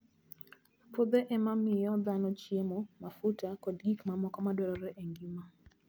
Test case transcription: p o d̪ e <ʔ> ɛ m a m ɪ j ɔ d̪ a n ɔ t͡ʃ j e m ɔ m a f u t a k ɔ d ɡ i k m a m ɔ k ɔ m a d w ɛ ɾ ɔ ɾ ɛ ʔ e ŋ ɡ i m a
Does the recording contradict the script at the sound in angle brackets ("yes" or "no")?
no